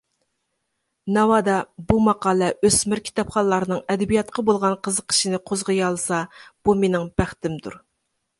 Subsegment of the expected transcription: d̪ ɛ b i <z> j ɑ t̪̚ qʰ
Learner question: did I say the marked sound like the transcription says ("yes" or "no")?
no